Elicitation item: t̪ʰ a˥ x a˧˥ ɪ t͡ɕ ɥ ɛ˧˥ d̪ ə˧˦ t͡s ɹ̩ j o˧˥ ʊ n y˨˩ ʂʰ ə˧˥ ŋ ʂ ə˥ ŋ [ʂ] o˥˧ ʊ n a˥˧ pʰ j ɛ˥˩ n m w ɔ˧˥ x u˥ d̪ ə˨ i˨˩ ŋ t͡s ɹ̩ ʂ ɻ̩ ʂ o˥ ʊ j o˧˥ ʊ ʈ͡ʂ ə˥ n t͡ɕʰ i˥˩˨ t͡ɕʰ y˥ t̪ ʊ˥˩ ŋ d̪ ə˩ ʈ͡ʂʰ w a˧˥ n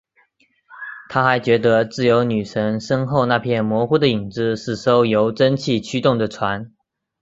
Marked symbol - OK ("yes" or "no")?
no